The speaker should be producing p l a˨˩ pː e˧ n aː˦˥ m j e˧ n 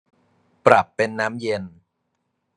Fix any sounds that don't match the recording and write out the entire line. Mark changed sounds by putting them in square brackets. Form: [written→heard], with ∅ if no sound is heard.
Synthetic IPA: p [l→ɾ] a˨˩ pː e˧ [n→nː] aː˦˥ m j e˧ n